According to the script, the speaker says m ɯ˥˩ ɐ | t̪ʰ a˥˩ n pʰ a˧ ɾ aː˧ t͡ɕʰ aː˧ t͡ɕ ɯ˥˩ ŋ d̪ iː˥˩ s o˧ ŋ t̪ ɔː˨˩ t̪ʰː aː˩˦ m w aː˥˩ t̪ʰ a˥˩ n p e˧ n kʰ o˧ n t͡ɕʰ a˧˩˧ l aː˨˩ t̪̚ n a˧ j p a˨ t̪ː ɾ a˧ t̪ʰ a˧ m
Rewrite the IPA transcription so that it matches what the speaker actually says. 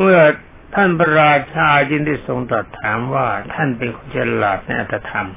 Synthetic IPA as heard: m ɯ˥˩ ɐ | t̪ʰ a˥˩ n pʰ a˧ ɾ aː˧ t͡ɕʰ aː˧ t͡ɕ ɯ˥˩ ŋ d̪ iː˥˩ s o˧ ŋ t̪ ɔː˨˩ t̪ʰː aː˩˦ m w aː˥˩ t̪ʰ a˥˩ n p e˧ n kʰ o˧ n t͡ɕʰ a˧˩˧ l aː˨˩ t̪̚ n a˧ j ʔ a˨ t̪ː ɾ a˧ t̪ʰ a˧ m